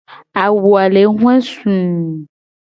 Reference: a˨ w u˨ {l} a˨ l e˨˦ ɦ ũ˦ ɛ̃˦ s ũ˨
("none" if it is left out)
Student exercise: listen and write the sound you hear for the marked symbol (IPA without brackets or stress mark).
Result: none